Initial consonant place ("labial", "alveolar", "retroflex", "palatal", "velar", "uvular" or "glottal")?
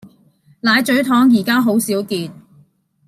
alveolar